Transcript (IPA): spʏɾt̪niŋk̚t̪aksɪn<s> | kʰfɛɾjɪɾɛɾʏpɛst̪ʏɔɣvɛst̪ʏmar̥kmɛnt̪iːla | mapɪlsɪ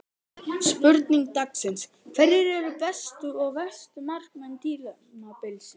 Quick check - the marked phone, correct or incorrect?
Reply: correct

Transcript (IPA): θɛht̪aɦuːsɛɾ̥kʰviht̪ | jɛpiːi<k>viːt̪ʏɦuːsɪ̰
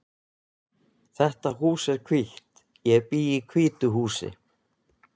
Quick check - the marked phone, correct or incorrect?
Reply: incorrect: kʰ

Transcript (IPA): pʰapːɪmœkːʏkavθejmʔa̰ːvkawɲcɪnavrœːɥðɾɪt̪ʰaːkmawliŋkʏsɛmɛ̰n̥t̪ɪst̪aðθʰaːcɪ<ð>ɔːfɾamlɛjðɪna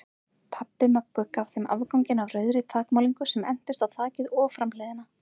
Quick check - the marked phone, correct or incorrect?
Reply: correct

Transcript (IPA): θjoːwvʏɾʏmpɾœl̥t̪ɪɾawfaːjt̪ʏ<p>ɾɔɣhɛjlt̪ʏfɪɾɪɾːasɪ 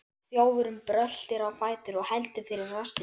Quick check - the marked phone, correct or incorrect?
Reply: incorrect: none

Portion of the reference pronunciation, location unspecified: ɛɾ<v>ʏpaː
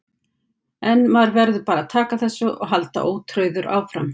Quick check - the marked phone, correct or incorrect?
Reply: incorrect: ð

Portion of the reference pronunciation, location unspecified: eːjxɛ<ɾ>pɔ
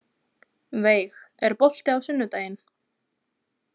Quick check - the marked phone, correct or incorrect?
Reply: correct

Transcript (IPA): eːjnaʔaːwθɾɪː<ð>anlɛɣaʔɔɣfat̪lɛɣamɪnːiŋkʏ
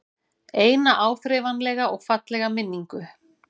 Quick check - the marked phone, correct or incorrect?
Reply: incorrect: v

